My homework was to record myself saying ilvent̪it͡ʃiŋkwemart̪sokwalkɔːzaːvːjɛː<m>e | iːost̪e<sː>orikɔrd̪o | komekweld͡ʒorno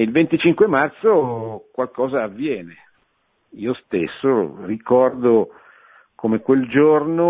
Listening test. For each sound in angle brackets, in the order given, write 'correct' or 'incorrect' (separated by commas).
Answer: incorrect, correct